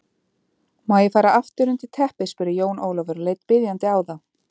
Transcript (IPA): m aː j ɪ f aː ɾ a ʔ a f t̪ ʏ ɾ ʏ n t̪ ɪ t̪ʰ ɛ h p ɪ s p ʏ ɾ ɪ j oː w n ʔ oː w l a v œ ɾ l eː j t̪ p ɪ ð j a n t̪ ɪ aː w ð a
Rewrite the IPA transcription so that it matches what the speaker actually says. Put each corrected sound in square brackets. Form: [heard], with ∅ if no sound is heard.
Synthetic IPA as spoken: m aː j ɪ f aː ɾ a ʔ a f t̪ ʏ ɾ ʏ n t̪ ɪ t̪ʰ ɛ h p ɪ s p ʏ ɾ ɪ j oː w n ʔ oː w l a v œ ɾ l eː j t̪ p ɪ ð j a n t̪ ɪ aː w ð a